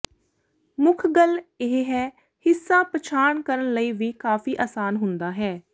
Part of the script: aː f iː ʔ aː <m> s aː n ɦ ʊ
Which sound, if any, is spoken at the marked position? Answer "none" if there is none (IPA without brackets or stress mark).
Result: none